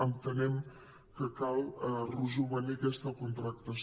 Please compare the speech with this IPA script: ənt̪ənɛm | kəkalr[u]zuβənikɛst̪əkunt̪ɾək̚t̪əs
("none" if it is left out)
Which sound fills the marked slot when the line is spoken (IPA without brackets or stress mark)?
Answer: u